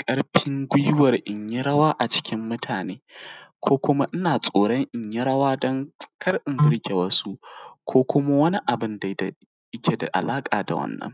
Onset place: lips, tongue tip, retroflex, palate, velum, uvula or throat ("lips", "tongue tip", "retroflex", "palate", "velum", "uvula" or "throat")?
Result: velum